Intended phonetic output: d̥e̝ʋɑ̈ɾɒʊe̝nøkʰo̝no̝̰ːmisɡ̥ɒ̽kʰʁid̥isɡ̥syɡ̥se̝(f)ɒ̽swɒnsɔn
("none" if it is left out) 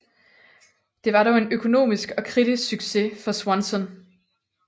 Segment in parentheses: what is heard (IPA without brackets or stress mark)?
f